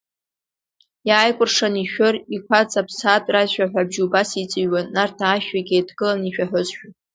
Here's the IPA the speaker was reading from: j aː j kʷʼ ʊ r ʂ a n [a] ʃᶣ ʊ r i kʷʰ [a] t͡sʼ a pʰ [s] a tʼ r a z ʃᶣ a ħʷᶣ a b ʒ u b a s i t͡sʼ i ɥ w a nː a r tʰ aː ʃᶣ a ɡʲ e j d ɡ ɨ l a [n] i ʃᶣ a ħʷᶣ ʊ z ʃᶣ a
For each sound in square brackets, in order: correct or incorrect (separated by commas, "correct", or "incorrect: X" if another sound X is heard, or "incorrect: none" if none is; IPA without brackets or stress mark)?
incorrect: i, correct, correct, correct